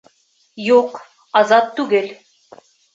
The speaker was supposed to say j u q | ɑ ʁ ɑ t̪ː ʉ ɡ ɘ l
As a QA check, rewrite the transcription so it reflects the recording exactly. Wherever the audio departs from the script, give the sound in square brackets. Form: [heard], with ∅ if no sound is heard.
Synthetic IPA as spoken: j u q | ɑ [z] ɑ t̪ː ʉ ɡ ɘ l

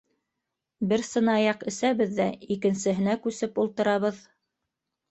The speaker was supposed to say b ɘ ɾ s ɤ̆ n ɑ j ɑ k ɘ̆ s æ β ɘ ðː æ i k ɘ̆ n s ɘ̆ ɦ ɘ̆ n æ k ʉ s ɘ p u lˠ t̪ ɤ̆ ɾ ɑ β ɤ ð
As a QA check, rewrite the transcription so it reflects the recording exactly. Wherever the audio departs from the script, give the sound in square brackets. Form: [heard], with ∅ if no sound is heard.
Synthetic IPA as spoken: b ɘ ɾ s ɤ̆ n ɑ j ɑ [q] ɘ̆ s æ β ɘ ðː æ i k ɘ̆ n s ɘ̆ ɦ ɘ̆ n æ k ʉ s ɘ p u lˠ t̪ ɤ̆ ɾ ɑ β ɤ ð

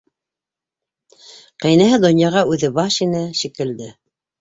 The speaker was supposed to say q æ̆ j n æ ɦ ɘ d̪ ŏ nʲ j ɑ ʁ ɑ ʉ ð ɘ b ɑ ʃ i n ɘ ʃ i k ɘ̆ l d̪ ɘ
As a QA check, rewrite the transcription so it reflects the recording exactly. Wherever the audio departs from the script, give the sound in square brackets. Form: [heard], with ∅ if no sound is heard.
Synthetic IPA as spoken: q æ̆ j n æ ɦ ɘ d̪ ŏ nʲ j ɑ ʁ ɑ ʉ ð ɘ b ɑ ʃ i n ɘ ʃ i k ɘ̆ l d̪ ɘ

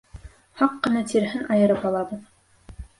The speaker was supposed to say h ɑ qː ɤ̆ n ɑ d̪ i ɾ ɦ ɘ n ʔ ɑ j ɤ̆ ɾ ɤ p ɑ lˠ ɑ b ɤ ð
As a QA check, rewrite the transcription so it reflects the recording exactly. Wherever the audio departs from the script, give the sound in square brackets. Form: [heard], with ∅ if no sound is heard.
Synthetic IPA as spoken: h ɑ qː ɤ̆ n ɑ [t̪] i ɾ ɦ ɘ n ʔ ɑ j ɤ̆ ɾ ɤ p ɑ lˠ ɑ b ɤ ð

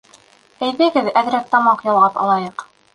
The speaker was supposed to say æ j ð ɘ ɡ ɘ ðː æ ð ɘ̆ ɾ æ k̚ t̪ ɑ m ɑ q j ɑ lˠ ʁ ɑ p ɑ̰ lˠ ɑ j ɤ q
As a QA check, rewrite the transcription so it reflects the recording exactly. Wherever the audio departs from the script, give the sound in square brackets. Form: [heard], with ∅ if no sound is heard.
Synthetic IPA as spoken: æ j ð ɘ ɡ ɘ [ð] æ ð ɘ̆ ɾ æ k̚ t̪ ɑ m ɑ q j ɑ lˠ ʁ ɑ p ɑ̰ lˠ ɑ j ɤ q

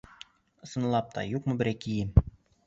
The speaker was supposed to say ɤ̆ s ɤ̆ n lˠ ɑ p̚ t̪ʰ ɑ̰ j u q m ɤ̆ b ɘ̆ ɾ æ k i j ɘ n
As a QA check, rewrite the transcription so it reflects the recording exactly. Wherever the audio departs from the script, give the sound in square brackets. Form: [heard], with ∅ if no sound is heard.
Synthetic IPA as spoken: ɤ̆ s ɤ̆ n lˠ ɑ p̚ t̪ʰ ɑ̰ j u q m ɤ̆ b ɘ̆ ɾ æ k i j ɘ [m]

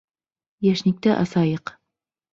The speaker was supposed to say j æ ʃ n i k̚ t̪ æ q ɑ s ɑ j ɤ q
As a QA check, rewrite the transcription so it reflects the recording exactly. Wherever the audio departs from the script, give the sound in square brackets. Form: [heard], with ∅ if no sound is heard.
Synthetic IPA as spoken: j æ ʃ n i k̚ t̪ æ [ʔ] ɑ s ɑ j ɤ q

